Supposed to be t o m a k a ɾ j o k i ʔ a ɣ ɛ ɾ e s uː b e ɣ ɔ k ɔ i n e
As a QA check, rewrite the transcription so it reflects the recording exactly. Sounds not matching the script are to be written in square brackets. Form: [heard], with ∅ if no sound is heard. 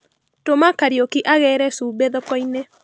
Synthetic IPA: t o m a k a ɾ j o k i ʔ a ɣ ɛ ɾ [ɛ] s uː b e [ð] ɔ k ɔ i n e